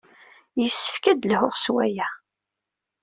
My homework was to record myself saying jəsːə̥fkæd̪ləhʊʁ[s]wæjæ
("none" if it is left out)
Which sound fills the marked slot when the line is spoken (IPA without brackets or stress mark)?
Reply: s